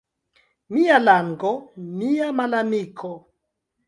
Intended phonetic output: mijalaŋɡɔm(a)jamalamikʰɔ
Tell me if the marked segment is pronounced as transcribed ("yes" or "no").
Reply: no